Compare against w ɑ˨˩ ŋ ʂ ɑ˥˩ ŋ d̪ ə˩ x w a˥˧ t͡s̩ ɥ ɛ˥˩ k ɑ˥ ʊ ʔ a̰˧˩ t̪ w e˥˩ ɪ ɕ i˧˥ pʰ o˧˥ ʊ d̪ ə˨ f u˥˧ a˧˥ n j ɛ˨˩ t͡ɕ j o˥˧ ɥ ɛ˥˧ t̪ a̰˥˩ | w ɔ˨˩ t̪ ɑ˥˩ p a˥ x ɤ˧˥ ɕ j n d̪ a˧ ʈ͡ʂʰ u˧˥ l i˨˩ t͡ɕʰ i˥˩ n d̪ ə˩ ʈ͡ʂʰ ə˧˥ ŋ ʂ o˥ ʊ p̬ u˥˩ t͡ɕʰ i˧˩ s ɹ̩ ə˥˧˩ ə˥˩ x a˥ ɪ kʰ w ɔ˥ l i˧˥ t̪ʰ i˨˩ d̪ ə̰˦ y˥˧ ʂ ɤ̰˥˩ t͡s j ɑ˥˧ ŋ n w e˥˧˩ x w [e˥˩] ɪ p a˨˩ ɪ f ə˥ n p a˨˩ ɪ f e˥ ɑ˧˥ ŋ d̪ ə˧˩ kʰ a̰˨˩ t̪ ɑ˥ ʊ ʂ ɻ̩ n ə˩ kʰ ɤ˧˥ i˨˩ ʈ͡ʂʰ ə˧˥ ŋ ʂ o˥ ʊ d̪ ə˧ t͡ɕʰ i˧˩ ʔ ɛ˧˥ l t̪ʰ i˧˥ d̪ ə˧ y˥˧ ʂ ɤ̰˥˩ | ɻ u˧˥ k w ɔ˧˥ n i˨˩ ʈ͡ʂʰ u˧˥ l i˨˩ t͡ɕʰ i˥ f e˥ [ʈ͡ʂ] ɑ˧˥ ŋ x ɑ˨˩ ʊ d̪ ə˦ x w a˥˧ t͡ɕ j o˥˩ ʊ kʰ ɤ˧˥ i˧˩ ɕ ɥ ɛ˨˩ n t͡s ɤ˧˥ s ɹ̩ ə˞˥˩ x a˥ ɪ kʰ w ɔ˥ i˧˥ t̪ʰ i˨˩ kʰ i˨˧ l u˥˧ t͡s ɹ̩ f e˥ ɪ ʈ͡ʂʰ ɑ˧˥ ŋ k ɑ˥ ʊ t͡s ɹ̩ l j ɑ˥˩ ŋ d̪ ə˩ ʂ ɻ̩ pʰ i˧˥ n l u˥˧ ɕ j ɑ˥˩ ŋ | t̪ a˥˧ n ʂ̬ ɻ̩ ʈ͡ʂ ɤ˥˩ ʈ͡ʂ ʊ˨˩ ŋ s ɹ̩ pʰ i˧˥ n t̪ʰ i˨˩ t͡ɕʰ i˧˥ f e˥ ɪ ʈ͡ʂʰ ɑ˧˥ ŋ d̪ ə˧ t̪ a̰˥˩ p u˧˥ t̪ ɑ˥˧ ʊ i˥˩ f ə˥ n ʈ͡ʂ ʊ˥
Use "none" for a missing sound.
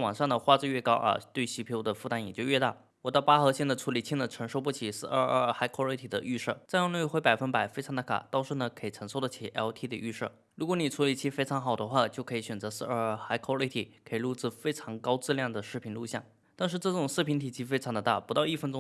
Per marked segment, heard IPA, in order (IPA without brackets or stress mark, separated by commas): e˧˥, ʈ͡ʂʰ